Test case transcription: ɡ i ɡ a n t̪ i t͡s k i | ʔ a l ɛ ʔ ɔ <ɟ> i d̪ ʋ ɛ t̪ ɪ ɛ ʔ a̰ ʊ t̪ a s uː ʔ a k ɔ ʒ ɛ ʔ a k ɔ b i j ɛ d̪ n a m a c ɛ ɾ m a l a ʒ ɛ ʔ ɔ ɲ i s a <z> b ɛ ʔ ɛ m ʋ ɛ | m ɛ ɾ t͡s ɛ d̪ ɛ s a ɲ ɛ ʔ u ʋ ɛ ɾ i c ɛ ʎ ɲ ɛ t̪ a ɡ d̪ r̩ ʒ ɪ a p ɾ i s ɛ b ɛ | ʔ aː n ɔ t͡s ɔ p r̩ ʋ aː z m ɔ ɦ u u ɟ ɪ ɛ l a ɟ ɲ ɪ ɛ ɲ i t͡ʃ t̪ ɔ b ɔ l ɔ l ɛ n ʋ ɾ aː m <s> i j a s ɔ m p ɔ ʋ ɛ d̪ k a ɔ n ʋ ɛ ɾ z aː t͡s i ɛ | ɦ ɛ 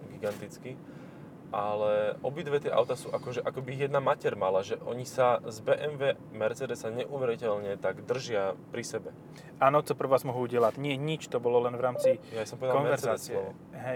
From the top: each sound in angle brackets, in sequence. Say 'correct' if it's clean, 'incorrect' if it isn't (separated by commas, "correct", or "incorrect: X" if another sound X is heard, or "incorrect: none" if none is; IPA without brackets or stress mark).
incorrect: b, correct, incorrect: t͡s